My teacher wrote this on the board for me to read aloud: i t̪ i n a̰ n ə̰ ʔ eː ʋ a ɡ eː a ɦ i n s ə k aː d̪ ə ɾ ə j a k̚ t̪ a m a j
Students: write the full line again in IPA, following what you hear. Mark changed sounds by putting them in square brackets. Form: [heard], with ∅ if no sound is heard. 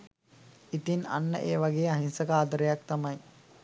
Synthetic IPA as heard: i t̪ i n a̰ [nː] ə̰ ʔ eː ʋ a ɡ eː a ɦ i n s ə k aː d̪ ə ɾ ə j a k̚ t̪ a m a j